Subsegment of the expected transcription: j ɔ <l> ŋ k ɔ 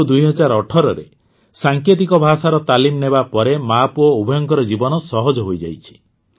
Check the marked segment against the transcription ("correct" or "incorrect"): incorrect